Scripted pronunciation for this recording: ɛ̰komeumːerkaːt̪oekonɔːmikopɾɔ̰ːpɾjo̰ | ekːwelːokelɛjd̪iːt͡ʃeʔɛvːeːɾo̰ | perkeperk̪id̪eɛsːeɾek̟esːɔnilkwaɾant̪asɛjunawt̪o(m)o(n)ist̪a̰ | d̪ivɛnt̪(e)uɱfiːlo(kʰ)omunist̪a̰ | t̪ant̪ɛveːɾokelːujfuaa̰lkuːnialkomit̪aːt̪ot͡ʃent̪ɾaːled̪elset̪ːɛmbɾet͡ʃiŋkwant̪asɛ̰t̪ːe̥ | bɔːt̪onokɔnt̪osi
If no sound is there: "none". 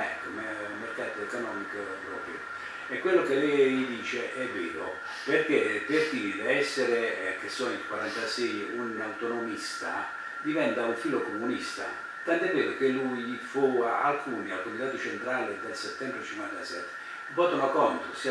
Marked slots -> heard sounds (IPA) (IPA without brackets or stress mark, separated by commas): n, m, a, k